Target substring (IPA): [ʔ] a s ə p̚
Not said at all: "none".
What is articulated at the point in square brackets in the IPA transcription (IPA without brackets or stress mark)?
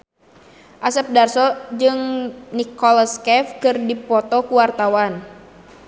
ʔ